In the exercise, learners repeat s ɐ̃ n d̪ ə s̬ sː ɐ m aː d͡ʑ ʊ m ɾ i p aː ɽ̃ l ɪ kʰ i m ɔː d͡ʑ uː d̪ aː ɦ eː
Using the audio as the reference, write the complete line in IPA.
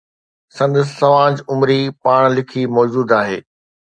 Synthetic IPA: s ɐ̃ n d̪ ə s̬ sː ɐ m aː d͡ʑ ʊ m ɾ i p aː ɽ̃ l ɪ kʰ i m ɔː d͡ʑ uː d̪ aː ɦ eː